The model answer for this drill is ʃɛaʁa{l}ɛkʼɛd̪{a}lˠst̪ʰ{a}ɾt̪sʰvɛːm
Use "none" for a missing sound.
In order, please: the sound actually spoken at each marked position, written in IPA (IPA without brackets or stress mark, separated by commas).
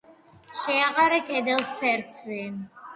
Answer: ɾ, ɛ, ɛ